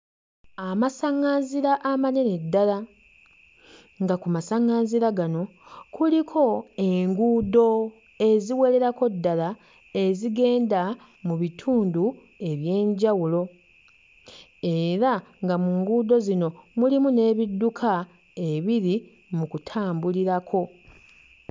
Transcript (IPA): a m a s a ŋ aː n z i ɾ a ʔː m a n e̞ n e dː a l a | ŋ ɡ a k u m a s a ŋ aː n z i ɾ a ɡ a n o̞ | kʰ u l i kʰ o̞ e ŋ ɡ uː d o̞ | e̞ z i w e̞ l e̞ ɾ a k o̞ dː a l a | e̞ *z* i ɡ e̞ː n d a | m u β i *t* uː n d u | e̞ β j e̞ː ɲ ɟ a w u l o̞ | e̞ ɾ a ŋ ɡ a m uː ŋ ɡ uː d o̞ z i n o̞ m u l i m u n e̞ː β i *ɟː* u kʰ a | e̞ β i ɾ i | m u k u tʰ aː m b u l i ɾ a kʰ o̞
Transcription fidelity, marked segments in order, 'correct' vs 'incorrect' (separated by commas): correct, incorrect, incorrect